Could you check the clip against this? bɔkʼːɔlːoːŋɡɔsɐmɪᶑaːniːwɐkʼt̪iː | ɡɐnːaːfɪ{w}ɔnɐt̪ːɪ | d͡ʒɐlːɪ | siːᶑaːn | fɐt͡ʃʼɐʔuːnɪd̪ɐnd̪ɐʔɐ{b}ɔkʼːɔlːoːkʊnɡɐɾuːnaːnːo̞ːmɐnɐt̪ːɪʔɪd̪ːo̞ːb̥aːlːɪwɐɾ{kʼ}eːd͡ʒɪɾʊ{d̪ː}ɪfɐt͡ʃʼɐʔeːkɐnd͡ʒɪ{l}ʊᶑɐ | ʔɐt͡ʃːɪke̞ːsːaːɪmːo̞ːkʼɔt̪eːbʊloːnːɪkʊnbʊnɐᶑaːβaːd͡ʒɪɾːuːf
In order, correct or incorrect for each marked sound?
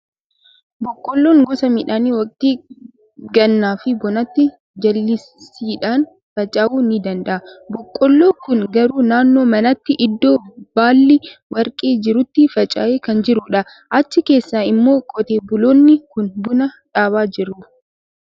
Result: incorrect, correct, correct, incorrect, incorrect

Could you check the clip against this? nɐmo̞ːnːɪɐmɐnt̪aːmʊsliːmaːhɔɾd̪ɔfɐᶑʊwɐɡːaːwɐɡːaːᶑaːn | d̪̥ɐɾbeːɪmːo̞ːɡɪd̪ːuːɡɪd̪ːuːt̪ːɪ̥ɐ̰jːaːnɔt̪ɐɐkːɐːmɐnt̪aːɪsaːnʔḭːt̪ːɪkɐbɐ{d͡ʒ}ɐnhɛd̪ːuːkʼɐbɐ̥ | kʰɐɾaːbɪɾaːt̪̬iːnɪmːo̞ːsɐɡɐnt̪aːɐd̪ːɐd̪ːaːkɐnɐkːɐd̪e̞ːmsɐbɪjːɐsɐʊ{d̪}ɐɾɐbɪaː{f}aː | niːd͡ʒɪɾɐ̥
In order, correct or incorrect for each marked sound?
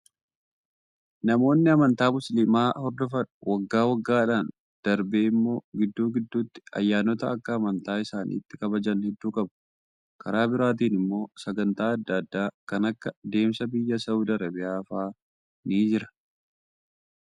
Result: correct, correct, correct

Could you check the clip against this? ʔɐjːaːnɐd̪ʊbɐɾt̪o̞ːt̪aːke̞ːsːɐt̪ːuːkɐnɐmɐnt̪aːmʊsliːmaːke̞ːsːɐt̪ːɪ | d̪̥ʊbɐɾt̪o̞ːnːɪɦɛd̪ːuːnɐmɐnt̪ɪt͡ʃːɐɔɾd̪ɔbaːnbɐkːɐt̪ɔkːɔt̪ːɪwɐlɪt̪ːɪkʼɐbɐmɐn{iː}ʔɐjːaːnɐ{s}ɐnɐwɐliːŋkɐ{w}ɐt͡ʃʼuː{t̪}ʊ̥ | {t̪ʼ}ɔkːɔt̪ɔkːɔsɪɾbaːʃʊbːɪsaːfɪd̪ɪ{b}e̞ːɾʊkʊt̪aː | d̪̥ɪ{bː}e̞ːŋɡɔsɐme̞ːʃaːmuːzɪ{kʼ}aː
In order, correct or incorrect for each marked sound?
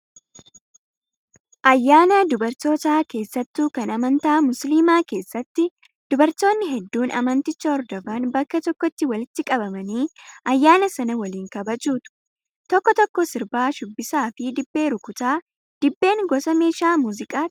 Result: correct, correct, incorrect, correct, incorrect, incorrect, correct, correct

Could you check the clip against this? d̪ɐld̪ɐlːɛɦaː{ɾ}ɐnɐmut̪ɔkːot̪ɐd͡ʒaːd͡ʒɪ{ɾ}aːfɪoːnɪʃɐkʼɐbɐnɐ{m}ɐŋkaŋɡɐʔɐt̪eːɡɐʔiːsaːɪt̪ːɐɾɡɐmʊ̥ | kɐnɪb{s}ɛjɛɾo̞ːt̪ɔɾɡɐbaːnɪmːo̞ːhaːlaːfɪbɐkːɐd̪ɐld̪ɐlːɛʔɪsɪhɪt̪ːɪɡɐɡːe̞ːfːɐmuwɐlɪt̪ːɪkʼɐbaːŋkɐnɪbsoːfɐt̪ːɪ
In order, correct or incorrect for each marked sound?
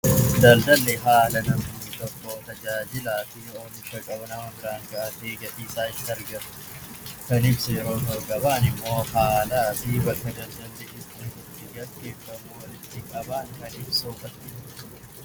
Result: incorrect, incorrect, correct, correct

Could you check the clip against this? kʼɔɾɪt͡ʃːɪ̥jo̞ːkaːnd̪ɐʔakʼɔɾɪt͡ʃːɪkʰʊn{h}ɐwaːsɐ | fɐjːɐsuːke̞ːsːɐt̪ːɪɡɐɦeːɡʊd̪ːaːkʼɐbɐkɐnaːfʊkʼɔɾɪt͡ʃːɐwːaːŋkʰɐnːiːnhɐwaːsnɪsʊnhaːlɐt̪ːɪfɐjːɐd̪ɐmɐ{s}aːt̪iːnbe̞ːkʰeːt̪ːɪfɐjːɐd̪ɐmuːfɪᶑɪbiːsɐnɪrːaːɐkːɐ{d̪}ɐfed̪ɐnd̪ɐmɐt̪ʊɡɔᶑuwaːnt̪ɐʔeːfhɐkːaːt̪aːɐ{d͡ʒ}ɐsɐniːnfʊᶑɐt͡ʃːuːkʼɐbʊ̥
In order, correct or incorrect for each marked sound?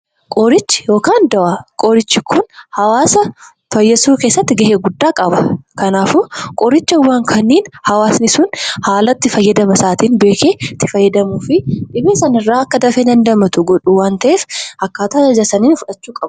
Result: correct, correct, correct, correct

